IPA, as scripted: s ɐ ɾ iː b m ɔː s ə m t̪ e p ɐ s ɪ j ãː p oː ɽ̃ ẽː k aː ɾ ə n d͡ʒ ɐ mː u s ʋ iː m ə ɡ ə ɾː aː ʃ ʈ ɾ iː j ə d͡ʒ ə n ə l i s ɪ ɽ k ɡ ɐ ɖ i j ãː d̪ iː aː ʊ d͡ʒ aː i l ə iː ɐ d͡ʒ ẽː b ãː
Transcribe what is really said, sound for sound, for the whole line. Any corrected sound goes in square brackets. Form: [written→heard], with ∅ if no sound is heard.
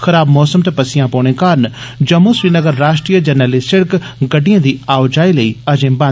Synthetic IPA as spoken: [s→x] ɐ ɾ [iː→aː] b m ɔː s ə m t̪ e p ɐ s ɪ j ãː p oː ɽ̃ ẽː k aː ɾ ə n d͡ʒ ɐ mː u s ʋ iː [m→n] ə ɡ ə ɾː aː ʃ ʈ ɾ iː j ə d͡ʒ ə n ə l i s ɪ ɽ k ɡ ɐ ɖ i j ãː d̪ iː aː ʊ d͡ʒ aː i l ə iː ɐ d͡ʒ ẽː b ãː